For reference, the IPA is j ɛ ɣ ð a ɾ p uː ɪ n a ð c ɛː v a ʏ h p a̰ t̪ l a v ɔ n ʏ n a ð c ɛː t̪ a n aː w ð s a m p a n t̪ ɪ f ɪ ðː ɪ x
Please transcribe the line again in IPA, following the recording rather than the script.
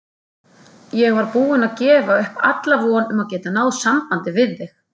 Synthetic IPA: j ɛ ɣ v a ɾ p uː ɪ n a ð c ɛː v a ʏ h p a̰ t̪ l a v ɔ n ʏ m a ð c ɛː t̪ a n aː w ð s a m p a n t̪ ɪ v ɪ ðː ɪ x